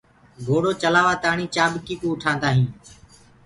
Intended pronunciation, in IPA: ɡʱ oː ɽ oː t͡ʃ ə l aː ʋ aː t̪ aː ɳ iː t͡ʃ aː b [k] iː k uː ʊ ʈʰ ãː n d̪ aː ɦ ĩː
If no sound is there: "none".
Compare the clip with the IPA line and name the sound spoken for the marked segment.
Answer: k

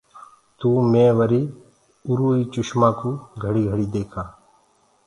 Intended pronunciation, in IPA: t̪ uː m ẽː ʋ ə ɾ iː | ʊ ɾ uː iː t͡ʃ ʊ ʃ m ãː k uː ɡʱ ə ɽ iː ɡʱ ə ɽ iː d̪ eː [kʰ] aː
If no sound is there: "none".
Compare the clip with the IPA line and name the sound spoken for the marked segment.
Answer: kʰ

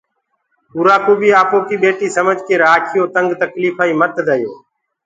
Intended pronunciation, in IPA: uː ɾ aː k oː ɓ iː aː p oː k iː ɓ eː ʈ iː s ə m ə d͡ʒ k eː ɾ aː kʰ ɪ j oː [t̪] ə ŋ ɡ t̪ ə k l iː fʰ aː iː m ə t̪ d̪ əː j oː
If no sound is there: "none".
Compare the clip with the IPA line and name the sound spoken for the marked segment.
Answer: t̪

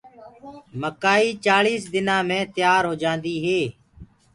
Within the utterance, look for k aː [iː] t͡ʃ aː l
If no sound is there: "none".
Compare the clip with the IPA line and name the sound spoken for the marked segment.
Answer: iː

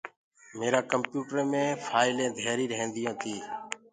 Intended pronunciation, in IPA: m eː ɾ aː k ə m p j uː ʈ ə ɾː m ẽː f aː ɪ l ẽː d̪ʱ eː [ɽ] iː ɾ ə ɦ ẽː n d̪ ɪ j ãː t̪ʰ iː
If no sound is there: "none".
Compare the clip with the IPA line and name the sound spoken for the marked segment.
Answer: ɾ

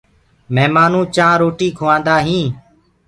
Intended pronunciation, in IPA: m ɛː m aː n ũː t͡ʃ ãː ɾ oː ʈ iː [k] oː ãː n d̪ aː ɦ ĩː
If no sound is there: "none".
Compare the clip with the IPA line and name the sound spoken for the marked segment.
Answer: kʰ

